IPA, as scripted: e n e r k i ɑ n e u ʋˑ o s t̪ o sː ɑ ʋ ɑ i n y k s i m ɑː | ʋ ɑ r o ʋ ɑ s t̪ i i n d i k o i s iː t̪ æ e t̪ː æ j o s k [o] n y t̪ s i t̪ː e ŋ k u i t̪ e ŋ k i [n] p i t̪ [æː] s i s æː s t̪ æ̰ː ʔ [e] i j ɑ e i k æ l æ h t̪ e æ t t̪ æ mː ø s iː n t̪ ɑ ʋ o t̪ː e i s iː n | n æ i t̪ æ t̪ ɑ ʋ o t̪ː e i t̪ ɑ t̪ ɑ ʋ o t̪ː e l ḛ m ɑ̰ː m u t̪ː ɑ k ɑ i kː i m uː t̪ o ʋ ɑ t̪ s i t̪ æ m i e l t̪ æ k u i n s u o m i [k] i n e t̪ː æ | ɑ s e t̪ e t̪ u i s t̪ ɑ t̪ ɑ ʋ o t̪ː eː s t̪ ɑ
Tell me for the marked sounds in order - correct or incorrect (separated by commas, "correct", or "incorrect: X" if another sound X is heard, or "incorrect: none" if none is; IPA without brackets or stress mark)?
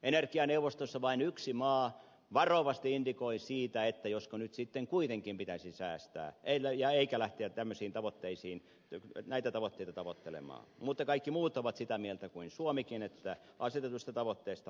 correct, incorrect: m, incorrect: æ, correct, correct